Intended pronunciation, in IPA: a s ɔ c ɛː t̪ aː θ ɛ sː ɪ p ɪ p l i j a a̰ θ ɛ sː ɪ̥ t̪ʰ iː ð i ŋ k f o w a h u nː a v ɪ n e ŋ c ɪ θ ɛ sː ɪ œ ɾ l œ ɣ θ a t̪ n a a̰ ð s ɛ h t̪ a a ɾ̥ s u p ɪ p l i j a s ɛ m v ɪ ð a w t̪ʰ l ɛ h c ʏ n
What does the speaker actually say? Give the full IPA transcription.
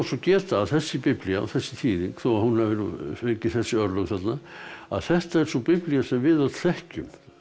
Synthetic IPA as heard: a s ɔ c ɛː t̪ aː θ ɛ sː ɪ p ɪ p l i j a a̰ θ ɛ sː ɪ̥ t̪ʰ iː ð i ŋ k θ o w a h u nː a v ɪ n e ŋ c ɪ θ ɛ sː ɪ œ ɾ l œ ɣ θ a t̪ n a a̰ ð θ ɛ h t̪ a ɛ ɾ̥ s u p ɪ p l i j a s ɛ m v ɪ ð a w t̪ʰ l ɛ h c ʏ m